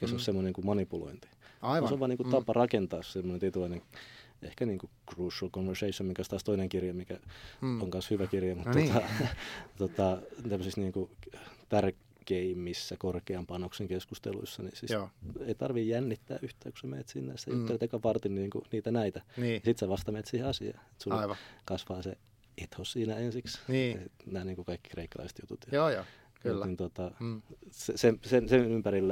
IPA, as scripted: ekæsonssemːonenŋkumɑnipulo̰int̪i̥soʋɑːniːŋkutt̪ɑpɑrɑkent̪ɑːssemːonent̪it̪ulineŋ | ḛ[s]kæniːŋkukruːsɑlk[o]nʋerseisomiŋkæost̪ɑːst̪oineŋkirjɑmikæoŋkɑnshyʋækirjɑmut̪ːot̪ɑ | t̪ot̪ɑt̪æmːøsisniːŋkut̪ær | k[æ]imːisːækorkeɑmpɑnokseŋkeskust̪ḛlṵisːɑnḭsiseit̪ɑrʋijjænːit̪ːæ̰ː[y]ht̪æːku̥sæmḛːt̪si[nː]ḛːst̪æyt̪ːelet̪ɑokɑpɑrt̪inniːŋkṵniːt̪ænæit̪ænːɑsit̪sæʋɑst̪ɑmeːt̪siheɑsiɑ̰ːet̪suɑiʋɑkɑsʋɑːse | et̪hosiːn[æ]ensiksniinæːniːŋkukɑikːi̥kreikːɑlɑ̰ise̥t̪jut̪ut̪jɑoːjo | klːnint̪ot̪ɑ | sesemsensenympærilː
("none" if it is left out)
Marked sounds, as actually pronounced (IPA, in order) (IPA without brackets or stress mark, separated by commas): h, o, e, y, nː, æ